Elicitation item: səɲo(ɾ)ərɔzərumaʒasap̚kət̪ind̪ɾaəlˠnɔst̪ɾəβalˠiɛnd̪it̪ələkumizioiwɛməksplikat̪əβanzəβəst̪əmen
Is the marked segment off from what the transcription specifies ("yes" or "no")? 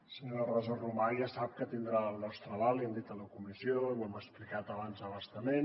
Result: no